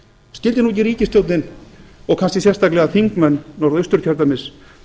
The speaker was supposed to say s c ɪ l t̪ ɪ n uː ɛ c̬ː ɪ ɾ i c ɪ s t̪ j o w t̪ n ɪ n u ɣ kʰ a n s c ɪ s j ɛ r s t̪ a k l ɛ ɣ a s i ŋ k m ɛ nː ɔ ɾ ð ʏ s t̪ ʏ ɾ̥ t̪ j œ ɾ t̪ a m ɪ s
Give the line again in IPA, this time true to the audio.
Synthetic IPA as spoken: s c ɪ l t̪ ɪ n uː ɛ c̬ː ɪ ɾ iː c ɪ s t̪ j o w t̪ n ɪ n ɔ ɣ kʰ a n s c ɪ s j ɛ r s t̪ a k l ɛ ɣ a θ i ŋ k m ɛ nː ɔ ɾ ð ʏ s t̪ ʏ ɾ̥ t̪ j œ ɾ t̪ a m ɪ s